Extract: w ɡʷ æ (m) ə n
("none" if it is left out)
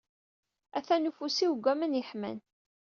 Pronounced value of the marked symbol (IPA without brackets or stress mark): m